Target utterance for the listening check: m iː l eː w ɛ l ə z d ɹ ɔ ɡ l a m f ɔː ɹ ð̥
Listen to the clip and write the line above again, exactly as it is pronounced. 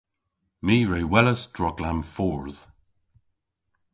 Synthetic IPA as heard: m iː ɹ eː w ɛ l ə s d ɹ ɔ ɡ l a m f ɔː ɹ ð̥